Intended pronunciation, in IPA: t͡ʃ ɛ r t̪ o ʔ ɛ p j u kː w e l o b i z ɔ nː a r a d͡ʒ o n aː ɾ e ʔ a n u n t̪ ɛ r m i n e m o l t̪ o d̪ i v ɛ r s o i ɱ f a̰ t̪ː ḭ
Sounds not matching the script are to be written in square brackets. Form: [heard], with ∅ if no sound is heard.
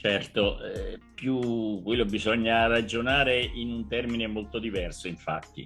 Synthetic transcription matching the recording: t͡ʃ ɛ r t̪ o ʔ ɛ p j u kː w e [lː] o b i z ɔ [ɲː] a r a d͡ʒ o n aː ɾ e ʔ [i] n u n t̪ ɛ r m i n e m o l t̪ o d̪ i v ɛ r s o i ɱ f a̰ t̪ː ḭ